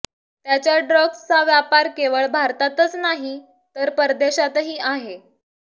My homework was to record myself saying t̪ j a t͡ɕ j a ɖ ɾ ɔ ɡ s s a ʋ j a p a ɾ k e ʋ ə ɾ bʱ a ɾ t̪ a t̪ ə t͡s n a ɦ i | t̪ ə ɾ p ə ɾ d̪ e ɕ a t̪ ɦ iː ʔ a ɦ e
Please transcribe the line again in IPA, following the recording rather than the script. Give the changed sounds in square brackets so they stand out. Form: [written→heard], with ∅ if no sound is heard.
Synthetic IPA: t̪ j a t͡ɕ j a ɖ ɾ ɔ ɡ s [s→t͡s] a ʋ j a p a ɾ k e ʋ ə [ɾ→ɭ] bʱ a ɾ t̪ a t̪ ə t͡s n a ɦ i | t̪ ə ɾ p ə ɾ d̪ e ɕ a t̪ ɦ iː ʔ a ɦ e